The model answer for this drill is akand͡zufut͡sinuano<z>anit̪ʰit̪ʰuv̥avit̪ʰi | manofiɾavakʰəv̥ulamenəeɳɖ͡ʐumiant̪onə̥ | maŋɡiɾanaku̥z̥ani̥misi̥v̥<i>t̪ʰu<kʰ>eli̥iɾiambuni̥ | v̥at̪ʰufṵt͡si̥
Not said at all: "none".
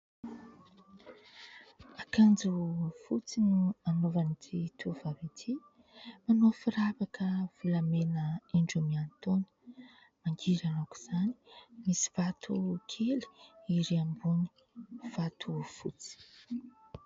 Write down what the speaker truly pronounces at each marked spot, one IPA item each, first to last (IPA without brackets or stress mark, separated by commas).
v, a, kʰ